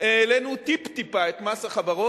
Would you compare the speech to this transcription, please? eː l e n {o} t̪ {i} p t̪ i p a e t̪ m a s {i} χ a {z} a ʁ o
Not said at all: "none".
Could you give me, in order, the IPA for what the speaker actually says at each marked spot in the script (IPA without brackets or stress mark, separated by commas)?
u, i, a, v